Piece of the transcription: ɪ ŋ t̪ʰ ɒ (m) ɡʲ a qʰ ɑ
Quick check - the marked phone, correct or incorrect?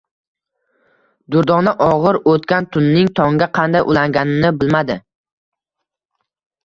incorrect